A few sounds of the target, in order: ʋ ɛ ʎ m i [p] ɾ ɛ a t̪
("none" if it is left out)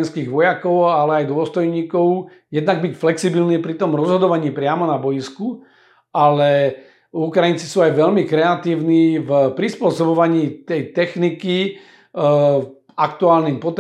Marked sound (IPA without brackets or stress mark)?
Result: k